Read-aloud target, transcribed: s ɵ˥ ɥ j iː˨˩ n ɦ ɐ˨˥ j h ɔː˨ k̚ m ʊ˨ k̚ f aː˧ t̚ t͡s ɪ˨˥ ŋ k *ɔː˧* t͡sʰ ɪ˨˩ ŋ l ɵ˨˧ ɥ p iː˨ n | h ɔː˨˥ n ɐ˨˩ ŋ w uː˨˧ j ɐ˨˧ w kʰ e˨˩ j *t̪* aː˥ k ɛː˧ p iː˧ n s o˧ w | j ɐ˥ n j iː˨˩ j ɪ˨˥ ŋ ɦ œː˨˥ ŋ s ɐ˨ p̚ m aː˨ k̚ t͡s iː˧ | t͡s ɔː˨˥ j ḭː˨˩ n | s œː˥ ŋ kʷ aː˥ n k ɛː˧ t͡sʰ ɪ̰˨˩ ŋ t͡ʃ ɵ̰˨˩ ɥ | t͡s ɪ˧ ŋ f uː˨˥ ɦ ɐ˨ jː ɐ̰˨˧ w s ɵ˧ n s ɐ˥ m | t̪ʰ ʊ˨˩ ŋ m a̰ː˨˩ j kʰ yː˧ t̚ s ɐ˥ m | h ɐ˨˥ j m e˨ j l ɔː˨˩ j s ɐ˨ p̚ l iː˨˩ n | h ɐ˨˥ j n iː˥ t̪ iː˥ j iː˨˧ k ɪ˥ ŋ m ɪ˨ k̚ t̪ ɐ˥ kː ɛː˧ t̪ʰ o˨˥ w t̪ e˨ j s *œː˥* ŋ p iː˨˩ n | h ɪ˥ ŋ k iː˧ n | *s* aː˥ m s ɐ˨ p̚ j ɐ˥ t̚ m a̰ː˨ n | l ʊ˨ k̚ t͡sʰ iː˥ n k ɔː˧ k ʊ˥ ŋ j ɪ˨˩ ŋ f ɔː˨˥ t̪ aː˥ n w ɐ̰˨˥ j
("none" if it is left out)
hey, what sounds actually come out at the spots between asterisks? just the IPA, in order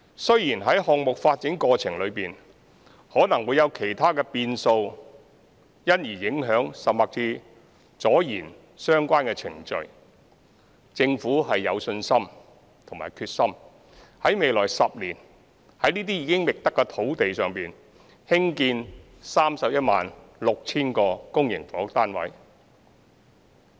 ɔː˧, t̪ʰ, œː˨, s

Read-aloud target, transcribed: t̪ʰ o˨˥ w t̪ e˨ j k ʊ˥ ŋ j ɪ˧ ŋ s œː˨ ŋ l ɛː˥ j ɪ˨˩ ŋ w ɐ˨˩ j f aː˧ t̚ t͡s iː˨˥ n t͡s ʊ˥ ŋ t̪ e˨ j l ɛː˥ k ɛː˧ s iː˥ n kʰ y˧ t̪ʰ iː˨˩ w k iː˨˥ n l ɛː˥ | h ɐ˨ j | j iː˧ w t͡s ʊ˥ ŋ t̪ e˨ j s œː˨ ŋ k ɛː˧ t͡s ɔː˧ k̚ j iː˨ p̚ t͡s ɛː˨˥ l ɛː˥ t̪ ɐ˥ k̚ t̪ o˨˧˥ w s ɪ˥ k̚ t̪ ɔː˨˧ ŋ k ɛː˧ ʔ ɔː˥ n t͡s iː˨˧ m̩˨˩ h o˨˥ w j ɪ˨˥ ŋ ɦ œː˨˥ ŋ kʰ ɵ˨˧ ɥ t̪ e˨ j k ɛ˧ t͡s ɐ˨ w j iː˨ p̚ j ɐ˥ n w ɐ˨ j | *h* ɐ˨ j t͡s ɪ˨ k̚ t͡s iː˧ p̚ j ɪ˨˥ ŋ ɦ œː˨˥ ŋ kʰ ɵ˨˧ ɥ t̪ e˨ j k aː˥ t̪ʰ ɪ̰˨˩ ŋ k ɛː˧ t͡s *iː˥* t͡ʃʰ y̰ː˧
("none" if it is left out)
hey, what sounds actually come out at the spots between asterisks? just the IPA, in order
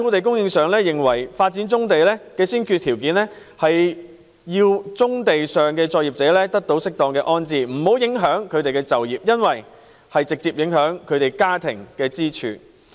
h, iː˥

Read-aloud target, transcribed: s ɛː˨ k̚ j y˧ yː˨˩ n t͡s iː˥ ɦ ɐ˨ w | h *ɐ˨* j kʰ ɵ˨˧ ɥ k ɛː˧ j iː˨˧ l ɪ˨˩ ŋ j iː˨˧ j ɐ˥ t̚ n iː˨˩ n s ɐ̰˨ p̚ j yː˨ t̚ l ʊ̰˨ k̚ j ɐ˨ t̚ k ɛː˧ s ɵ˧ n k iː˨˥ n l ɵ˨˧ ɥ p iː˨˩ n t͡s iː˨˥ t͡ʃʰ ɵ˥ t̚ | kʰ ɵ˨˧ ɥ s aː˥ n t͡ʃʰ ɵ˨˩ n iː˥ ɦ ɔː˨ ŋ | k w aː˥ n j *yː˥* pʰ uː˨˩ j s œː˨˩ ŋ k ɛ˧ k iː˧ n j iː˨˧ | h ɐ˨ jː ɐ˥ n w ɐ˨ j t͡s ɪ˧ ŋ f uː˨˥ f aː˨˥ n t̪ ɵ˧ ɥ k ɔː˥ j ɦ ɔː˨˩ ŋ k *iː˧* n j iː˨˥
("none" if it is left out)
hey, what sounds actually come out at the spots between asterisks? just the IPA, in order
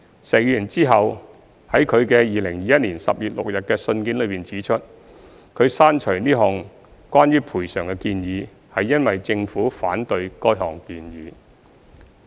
ɐ˨˥, yː˥, iː˧

